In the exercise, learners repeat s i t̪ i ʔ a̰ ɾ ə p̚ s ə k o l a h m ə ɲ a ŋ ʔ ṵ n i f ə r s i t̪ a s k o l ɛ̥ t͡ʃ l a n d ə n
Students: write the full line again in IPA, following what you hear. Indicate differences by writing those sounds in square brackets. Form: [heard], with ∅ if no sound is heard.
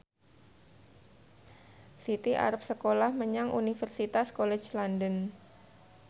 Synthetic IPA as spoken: s i t̪ i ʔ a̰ ɾ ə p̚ s ə k o l a h m ə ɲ a ŋ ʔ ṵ n i f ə r s i t̪ a s k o l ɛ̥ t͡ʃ l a n d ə n